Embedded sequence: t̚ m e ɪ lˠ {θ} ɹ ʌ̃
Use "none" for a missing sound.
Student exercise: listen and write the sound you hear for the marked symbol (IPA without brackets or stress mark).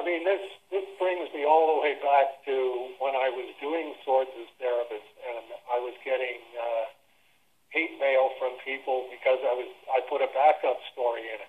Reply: f